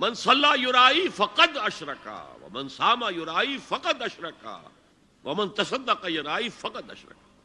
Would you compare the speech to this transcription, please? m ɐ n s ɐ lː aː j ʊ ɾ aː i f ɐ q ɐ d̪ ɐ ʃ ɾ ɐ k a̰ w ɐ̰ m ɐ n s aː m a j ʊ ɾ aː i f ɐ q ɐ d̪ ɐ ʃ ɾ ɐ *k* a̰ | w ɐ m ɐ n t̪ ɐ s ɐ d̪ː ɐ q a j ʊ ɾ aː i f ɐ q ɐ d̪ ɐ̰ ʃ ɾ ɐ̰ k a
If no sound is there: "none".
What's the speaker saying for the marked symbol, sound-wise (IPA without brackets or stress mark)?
k